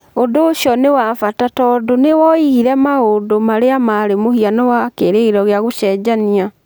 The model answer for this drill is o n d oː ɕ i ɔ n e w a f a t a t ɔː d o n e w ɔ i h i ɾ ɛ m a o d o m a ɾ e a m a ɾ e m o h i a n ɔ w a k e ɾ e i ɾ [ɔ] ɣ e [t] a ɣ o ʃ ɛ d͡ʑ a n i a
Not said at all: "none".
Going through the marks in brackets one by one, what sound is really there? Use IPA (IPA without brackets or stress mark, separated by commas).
ɔ, none